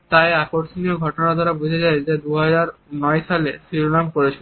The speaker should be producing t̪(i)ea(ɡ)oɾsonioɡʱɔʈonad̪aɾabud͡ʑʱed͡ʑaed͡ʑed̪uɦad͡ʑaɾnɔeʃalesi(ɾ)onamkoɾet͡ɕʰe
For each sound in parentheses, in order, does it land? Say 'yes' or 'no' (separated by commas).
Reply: no, no, yes